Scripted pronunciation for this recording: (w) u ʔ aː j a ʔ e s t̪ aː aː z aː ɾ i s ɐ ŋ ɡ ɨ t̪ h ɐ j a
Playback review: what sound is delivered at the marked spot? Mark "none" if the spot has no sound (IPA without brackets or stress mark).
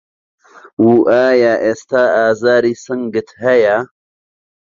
w